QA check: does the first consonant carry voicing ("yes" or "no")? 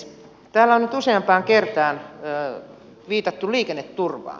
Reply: no